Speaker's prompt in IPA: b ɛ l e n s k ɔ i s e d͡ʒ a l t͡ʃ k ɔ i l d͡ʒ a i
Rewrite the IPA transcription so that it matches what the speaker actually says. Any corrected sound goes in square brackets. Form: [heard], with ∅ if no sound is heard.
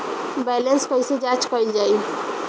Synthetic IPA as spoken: b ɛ l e n s k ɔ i s e d͡ʒ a [∅] t͡ʃ k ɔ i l d͡ʒ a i